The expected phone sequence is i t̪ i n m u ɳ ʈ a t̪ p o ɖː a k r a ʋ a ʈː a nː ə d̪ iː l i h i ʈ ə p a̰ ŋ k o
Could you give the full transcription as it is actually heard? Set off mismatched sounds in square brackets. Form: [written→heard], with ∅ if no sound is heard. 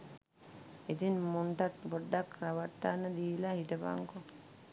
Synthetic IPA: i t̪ i n m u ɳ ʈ a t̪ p o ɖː a k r a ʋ a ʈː a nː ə d̪ iː l [i→a] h i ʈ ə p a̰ ŋ k o